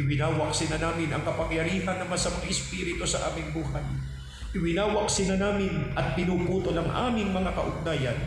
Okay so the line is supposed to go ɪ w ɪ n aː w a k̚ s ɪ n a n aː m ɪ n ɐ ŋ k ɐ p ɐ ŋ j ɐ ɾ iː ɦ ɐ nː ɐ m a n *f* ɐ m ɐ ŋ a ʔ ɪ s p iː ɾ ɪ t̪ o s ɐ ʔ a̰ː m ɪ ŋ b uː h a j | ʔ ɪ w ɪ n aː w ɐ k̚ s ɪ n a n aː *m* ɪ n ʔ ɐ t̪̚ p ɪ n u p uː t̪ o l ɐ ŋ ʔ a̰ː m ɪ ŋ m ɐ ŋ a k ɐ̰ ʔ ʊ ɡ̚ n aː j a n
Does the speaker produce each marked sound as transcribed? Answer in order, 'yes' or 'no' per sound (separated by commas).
no, yes